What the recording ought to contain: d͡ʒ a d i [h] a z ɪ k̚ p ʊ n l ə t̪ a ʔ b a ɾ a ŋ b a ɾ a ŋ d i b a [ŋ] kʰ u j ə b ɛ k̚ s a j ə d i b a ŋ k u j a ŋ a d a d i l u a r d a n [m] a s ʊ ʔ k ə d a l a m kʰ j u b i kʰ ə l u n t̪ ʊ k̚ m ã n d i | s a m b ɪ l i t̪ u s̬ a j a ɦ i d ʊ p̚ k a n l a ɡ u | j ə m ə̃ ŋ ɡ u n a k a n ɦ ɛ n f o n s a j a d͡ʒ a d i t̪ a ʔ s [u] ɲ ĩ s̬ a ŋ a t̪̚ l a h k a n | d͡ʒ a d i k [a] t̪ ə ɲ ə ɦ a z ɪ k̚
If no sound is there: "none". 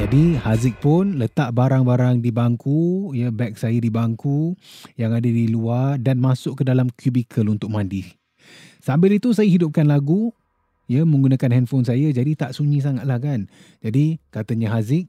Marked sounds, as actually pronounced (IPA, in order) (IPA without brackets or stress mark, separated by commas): h, ŋ, m, u, a